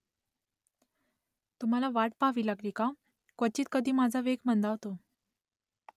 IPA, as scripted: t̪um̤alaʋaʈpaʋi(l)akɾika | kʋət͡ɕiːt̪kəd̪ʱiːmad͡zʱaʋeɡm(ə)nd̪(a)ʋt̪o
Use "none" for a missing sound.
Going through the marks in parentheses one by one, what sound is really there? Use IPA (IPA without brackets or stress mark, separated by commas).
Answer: l, ə, a